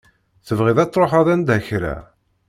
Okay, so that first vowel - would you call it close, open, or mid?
mid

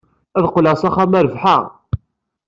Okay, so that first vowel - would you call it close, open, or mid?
open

